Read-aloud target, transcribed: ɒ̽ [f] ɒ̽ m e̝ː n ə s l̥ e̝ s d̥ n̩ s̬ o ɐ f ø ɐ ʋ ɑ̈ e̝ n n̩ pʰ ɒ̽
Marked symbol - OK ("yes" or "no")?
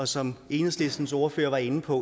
no